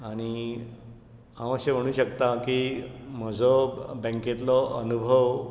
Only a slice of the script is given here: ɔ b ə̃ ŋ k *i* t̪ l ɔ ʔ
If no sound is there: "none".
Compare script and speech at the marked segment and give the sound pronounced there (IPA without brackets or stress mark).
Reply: e